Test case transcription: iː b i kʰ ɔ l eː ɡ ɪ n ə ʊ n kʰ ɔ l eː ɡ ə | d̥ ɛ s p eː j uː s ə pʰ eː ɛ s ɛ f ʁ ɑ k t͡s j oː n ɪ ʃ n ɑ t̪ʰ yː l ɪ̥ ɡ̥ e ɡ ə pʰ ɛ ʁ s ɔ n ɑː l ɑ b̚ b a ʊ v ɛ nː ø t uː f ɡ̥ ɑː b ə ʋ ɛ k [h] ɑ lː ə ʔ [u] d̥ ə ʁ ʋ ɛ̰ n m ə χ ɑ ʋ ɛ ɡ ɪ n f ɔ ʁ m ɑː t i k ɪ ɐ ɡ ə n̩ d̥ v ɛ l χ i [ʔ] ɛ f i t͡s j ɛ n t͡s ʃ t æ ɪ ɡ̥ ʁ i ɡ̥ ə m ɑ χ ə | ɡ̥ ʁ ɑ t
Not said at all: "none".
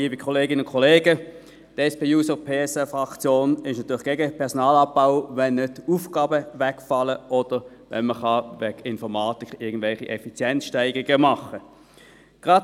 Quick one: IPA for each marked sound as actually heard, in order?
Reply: f, ɔ, ʔ

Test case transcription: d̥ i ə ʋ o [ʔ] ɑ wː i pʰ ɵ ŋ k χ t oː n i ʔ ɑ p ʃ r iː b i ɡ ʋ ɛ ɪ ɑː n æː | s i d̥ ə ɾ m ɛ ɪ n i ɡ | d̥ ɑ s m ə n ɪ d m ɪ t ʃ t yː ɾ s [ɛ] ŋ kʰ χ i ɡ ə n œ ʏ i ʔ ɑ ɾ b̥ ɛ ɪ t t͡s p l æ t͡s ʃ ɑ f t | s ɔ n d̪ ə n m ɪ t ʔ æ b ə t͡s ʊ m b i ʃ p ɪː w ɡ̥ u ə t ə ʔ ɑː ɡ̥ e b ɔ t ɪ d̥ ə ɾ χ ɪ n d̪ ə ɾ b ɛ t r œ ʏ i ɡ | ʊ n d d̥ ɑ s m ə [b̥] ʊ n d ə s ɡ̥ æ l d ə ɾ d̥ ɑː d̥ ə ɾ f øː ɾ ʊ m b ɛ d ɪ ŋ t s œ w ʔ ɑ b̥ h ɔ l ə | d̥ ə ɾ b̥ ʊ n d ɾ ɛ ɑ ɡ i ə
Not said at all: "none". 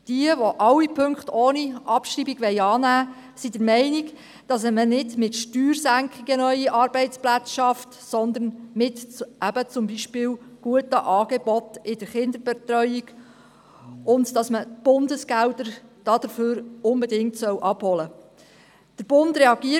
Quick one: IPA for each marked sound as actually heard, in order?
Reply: ʔ, æ, b̥

